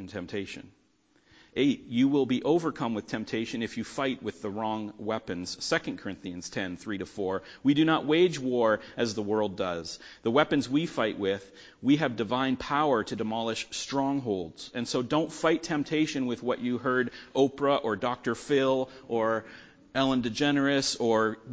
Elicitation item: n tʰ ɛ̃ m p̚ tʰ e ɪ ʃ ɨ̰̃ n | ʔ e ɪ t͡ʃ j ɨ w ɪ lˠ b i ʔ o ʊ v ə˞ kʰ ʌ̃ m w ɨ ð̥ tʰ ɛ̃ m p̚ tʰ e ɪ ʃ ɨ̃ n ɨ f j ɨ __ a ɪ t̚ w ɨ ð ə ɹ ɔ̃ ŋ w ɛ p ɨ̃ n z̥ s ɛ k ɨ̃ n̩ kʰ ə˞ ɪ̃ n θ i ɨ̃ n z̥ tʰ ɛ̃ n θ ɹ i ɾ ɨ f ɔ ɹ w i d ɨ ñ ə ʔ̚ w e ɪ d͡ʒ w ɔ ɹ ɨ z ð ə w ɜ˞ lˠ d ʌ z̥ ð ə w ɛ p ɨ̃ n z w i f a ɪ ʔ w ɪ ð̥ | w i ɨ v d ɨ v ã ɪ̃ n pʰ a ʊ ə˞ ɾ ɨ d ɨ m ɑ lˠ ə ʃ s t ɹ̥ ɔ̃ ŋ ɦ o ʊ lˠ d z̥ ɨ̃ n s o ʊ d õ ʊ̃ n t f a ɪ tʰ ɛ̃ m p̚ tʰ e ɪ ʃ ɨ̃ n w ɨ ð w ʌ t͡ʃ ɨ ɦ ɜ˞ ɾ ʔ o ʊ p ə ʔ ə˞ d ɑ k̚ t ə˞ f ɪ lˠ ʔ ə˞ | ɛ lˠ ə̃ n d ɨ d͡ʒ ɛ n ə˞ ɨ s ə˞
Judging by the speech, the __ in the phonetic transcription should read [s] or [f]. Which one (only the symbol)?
f